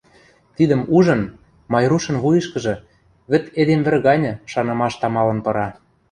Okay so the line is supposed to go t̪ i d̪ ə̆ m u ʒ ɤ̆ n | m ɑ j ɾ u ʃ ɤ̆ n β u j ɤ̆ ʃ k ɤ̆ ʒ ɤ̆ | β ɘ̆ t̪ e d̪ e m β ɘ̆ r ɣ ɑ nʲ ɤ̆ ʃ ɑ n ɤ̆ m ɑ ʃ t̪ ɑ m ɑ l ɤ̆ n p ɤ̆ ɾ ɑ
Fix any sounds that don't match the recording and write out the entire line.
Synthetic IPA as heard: t̪ i d̪ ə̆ m u ʒ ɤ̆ n | m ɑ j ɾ u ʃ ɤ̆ n β u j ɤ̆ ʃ k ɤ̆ ʒ ɤ̆ | β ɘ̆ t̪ e d̪ e m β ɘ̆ r ɣ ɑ nʲ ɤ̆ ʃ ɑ n ɤ̆ m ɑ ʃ t̪ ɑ m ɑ l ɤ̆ n p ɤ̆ ɾ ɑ